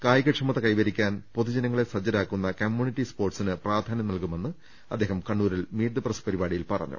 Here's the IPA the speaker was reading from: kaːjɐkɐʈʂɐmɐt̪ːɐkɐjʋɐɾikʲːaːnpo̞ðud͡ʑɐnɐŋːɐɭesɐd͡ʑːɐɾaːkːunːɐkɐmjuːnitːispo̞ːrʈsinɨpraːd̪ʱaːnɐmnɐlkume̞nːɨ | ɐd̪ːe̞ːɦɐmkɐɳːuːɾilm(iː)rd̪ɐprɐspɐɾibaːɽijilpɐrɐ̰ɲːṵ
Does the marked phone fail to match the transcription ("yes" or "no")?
no